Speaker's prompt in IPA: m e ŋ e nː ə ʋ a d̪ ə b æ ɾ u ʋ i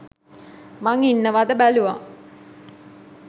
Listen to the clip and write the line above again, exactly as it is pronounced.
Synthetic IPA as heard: m a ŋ i nː ə ʋ a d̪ ə b æ l u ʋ a